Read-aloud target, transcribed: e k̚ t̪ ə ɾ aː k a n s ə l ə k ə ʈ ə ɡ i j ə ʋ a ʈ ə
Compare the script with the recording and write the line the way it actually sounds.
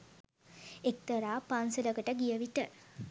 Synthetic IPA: e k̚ t̪ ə ɾ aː p a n s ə l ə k ə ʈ ə ɡ i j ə ʋ i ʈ ə